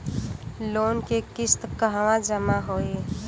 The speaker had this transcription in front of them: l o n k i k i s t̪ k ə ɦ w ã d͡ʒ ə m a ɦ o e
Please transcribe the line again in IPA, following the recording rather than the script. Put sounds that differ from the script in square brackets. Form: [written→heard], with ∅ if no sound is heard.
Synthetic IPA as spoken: l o n k [i→e] k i s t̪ k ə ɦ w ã d͡ʒ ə m a ɦ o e